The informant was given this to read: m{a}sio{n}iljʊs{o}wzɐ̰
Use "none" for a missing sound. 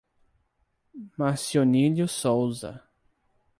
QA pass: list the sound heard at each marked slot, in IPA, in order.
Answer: a, n, o

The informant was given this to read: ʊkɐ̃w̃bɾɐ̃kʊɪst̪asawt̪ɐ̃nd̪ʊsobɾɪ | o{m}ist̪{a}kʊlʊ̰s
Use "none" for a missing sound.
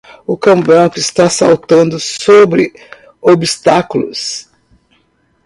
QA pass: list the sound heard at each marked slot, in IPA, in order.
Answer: b, a

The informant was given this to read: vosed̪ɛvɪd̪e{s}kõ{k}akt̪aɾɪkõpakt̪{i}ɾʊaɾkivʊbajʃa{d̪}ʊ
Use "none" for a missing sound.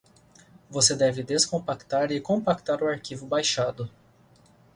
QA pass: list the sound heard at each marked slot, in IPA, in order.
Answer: s, p, a, d̪

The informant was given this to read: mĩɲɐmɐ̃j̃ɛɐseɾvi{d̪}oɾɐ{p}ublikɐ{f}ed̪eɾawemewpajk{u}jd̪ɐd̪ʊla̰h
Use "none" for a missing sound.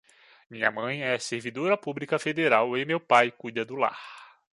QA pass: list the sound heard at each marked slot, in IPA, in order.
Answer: d̪, p, f, u

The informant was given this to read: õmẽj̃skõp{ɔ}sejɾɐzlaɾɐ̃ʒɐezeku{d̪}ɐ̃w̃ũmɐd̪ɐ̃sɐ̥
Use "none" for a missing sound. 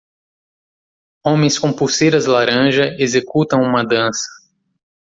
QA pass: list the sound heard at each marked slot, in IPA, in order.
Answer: u, t̪

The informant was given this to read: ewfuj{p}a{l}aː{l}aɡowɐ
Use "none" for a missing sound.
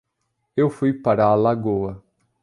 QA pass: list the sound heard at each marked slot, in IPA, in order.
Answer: p, ɾ, l

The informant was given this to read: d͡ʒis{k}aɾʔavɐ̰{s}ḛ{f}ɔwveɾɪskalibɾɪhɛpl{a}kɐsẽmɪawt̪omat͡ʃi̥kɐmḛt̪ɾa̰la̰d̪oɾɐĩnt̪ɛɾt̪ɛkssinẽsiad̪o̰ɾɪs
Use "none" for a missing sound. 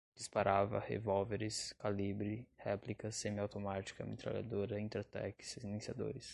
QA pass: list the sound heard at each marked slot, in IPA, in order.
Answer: p, h, v, i

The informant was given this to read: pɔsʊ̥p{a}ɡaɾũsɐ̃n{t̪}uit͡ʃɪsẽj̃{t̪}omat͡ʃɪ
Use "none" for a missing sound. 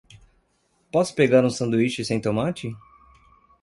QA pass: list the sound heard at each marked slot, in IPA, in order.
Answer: e, d̪, t̪

